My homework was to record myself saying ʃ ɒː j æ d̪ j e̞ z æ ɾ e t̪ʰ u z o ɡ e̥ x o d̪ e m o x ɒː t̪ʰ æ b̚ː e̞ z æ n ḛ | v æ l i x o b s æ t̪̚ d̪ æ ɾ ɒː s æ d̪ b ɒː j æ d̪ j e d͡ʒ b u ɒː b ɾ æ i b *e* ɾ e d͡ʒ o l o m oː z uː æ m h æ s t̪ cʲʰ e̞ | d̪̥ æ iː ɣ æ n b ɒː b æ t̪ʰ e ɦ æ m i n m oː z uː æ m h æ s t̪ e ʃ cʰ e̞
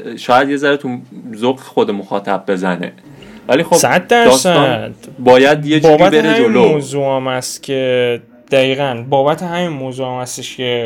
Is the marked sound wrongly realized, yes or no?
no